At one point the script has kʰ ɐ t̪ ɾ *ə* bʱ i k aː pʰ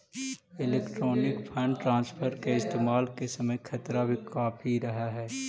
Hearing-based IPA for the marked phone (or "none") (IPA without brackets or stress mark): a